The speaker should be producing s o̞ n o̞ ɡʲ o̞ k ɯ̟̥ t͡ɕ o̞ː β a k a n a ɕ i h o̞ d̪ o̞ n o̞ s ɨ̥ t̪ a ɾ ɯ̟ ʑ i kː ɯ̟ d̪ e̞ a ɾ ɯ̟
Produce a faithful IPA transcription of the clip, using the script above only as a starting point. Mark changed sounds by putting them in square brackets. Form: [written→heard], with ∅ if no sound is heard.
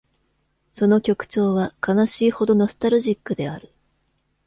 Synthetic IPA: s o̞ n o̞ [ɡʲ→kʲ] o̞ k ɯ̟̥ t͡ɕ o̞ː β a k a n a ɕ [i→iː] h o̞ d̪ o̞ n o̞ s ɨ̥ t̪ a ɾ ɯ̟ ʑ i kː ɯ̟ d̪ e̞ a ɾ ɯ̟

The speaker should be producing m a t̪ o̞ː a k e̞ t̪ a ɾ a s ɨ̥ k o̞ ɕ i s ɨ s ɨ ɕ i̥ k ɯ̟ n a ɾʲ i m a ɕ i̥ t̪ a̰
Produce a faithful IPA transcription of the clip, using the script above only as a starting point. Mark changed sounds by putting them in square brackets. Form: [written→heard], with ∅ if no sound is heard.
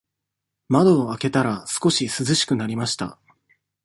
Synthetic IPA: m a [t̪→d̪] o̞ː a k e̞ t̪ a ɾ a s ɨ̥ k o̞ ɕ i s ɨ [s→z] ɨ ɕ i̥ k ɯ̟ n a ɾʲ i m a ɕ i̥ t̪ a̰

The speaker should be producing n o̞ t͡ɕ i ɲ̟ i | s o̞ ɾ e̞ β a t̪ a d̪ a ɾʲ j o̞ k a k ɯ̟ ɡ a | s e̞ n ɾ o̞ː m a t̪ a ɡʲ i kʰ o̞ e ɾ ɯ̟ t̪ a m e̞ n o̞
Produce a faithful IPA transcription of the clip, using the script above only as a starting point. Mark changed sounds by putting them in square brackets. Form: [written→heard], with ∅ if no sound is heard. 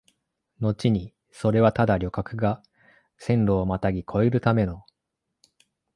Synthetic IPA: n o̞ t͡ɕ i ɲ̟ i | s o̞ ɾ e̞ β a t̪ a d̪ a ɾʲ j o̞ k a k ɯ̟ ɡ a | s [e̞→ẽ̞] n ɾ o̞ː m a t̪ a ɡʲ i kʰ o̞ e ɾ ɯ̟ t̪ a m e̞ n o̞

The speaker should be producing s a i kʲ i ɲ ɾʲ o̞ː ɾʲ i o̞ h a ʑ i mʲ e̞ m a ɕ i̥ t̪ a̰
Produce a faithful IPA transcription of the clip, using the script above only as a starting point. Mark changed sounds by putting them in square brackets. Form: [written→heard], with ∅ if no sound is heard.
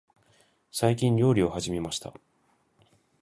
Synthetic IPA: s a i kʲ [i→ĩ] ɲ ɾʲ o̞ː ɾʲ i o̞ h a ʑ i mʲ e̞ m a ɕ i̥ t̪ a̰

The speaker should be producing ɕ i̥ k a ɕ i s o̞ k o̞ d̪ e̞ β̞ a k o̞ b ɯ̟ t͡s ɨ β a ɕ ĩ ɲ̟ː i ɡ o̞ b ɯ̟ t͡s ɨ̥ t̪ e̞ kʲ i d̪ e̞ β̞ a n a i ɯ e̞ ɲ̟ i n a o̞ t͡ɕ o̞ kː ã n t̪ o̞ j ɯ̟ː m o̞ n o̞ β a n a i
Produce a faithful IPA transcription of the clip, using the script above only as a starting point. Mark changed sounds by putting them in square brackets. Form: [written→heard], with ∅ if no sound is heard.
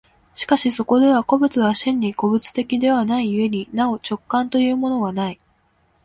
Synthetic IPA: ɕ i̥ k a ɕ i s o̞ k o̞ d̪ e̞ β̞ a k o̞ b ɯ̟ t͡s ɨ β a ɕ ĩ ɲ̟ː i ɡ o̞ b ɯ̟ t͡s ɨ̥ t̪ e̞ kʲ i d̪ e̞ β̞ a n a i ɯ e̞ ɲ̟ i n a o̞ t͡ɕ o̞ kː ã n t̪ o̞ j ɯ̟ː m o̞ n o̞ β a n a i

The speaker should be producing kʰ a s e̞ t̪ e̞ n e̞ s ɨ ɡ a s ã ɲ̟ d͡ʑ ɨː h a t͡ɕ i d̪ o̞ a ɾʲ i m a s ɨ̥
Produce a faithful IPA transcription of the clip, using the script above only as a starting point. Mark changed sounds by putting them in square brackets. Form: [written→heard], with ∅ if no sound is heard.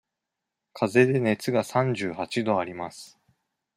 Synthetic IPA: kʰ a [s→z] e̞ [t̪→d̪] e̞ n e̞ [s→t͡s] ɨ ɡ a s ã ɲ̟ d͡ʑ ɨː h a t͡ɕ i d̪ o̞ a ɾʲ i m a s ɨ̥

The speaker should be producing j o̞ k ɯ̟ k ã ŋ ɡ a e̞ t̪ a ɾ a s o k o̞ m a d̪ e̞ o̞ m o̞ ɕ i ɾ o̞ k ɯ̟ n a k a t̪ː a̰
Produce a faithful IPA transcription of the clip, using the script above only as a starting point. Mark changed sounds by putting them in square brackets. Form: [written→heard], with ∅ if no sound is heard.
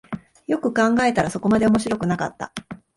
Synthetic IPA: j o̞ k ɯ̟ k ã ŋ ɡ a e̞ t̪ a ɾ a s o k o̞ m a d̪ e̞ o̞ m o̞ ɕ i ɾ o̞ k ɯ̟ n a k a t̪ː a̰

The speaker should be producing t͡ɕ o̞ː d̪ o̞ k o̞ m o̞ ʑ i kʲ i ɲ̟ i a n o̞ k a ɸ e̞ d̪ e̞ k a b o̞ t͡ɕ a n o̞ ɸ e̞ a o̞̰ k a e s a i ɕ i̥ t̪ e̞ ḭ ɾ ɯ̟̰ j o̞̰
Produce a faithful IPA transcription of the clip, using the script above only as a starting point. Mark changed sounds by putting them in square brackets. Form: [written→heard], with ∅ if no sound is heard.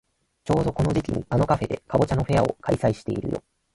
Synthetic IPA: t͡ɕ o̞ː d̪ o̞ k o̞ [m→n] o̞ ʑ i kʲ i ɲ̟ i a n o̞ k a ɸ e̞ d̪ e̞ k a b o̞ t͡ɕ a n o̞ ɸ e̞ a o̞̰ k a [e→i] s a i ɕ i̥ t̪ e̞ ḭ ɾ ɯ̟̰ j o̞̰

